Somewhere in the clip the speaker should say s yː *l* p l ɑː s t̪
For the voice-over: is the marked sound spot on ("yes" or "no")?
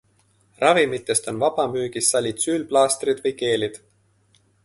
yes